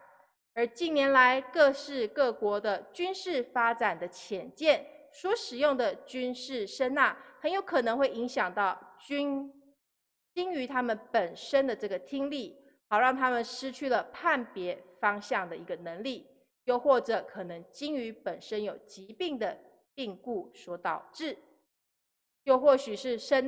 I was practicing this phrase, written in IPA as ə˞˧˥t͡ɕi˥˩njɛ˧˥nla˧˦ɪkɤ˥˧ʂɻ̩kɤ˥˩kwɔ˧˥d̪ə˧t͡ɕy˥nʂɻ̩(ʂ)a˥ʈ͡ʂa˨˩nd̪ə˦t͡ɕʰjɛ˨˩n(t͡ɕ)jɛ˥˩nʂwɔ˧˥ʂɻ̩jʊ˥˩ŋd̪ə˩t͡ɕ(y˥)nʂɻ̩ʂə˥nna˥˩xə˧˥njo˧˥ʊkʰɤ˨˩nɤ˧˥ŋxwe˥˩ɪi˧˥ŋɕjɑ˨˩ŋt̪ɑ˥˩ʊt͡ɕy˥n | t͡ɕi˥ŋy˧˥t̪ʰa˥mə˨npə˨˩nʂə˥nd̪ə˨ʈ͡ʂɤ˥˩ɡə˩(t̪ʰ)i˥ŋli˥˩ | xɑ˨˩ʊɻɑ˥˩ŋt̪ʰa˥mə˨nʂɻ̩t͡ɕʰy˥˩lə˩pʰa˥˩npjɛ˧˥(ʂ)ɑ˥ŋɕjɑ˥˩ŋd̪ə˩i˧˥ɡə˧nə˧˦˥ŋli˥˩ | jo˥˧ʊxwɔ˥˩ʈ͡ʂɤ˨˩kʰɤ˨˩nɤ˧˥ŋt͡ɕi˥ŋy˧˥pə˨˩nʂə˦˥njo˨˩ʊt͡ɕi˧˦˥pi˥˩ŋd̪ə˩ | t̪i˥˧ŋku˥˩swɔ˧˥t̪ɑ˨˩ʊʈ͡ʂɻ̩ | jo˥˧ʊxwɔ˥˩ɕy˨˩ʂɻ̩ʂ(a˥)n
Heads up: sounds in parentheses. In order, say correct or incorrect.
incorrect: f, correct, correct, correct, incorrect: f, incorrect: ə˥

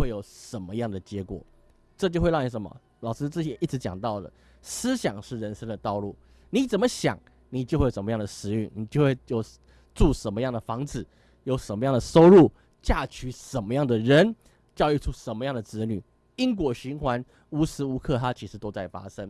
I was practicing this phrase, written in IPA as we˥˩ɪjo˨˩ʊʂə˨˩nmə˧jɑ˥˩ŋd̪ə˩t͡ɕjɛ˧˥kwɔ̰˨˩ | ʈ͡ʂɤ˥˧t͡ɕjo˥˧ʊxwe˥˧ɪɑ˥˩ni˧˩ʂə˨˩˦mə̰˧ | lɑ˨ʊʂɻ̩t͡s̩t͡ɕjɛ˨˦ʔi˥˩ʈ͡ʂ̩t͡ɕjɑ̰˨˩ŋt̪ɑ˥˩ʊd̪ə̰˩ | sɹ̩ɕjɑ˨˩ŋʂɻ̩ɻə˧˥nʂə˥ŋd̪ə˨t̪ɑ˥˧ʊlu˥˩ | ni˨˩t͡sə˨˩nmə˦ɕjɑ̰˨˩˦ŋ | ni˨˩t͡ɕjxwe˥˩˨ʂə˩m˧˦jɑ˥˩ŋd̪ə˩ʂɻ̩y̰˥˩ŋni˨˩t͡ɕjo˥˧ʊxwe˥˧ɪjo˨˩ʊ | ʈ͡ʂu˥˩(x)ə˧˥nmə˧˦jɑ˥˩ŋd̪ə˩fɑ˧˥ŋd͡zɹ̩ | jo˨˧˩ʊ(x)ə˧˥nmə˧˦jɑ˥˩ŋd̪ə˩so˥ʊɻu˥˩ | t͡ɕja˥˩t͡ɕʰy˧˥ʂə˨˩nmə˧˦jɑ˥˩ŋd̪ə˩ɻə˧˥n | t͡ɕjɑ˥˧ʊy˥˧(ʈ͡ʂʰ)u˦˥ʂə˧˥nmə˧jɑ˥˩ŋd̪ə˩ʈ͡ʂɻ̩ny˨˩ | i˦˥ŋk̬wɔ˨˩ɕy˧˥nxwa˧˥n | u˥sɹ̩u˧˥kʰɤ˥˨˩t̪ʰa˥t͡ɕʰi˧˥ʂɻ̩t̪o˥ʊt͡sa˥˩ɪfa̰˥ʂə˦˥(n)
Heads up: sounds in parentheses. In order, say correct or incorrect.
incorrect: ʂ, incorrect: ʂ, correct, incorrect: ŋ

